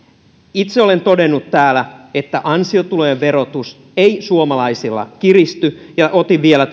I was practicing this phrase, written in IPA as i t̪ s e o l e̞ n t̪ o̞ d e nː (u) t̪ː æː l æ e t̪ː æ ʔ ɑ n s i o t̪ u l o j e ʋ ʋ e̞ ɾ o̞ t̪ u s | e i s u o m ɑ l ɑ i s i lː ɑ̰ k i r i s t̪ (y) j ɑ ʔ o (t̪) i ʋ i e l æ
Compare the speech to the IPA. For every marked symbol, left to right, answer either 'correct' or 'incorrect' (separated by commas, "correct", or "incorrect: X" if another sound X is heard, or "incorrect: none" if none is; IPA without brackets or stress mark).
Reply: correct, correct, correct